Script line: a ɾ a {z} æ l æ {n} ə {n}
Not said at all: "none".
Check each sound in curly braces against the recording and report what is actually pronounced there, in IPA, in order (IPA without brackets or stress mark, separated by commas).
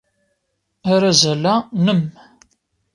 z, n, m